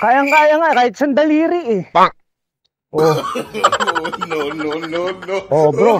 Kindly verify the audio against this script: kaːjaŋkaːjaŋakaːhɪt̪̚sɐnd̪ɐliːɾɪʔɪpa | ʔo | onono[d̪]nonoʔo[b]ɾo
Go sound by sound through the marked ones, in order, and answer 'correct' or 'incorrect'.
incorrect: none, correct

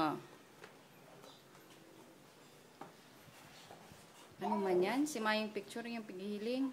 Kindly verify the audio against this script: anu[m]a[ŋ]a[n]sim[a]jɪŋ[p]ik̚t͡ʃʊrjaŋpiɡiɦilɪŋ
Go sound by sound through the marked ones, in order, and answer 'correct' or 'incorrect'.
correct, incorrect: ɲ, correct, correct, correct

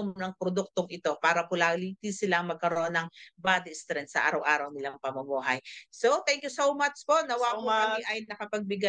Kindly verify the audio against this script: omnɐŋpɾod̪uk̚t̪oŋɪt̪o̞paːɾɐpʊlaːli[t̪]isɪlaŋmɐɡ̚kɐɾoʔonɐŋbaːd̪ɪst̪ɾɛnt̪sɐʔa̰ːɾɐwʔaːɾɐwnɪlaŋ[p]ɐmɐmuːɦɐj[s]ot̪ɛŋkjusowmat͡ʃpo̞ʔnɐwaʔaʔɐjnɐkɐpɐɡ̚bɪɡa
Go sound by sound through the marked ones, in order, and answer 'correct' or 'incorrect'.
correct, correct, correct

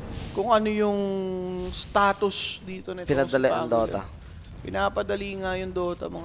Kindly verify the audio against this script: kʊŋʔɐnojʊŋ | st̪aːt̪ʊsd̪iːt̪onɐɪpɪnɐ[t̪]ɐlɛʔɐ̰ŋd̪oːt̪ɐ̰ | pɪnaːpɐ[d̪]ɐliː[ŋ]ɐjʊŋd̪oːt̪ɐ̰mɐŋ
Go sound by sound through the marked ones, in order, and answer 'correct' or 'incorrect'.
incorrect: d̪, correct, correct

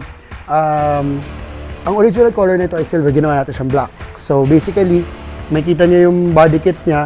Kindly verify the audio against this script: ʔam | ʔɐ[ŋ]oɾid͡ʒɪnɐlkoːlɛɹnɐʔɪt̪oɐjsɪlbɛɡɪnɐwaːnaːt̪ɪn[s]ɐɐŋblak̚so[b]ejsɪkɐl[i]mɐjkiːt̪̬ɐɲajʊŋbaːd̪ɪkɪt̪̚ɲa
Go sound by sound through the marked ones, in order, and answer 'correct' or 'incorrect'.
correct, incorrect: ʃ, correct, correct

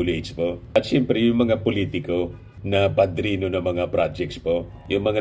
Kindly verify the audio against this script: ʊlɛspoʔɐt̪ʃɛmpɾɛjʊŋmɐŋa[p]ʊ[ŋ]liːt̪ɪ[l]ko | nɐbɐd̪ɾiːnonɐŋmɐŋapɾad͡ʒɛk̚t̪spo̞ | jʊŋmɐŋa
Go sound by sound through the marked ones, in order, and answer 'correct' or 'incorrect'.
correct, incorrect: none, incorrect: none

